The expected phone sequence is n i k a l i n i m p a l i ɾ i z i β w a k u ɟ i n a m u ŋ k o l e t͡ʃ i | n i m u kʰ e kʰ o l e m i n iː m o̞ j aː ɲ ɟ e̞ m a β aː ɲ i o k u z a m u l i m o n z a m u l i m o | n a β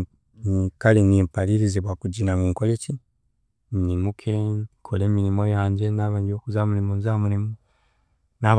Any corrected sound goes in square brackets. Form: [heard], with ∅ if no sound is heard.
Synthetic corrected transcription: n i k a l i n i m p a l i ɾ i z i β w a k u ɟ i n a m u ŋ k o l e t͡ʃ i | n i m u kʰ e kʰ o l e m i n [i] m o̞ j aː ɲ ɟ e̞ [n] a β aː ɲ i o k u z a m u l i m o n z a m u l i m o | n a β